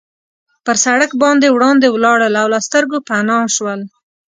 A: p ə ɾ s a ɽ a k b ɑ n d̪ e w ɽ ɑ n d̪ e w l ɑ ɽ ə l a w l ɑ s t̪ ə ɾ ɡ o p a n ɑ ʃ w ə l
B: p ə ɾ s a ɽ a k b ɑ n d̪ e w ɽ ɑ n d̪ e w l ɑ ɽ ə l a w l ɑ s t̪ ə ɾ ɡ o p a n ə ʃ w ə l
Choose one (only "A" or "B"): A